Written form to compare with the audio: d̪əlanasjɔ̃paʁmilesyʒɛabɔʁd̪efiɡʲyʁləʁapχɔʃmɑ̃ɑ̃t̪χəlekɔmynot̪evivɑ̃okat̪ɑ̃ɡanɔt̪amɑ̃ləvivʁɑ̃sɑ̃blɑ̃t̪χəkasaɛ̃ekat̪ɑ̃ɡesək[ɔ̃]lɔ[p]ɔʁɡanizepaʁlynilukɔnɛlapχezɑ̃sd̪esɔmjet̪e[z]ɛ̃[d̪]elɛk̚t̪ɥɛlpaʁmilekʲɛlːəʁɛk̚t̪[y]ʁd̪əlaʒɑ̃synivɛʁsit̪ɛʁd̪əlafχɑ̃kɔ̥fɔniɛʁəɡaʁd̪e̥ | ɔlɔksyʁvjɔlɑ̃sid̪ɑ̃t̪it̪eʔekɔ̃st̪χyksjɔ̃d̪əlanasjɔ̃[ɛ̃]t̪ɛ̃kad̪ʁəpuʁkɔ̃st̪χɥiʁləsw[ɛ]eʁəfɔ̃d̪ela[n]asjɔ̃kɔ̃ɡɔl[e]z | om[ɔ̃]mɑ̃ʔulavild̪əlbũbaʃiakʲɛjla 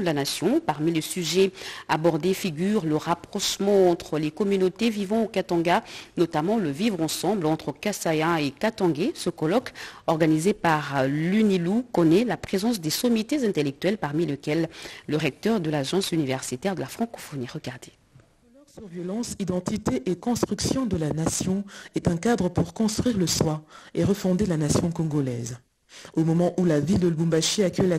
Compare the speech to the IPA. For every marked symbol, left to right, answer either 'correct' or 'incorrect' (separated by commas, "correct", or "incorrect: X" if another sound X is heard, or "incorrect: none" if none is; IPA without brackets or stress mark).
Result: incorrect: ɔ, incorrect: k, correct, incorrect: t̪, incorrect: œ, incorrect: ɛ, incorrect: a, correct, incorrect: ɛ, incorrect: ɔ